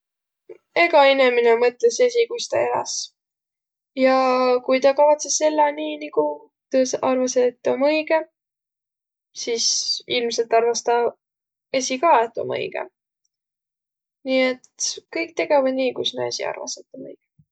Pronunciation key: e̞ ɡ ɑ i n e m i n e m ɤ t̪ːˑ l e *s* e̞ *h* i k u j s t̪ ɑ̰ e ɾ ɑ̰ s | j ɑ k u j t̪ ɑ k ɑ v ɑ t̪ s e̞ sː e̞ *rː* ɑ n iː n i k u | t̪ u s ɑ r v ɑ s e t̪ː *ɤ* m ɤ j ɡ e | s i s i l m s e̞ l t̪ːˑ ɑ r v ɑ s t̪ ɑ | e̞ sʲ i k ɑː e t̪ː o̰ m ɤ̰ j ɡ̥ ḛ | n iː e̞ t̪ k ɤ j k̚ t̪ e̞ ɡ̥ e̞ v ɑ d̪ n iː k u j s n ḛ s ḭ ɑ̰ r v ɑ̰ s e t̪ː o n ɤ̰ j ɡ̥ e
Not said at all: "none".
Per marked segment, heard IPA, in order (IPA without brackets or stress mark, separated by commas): s, s, lː, o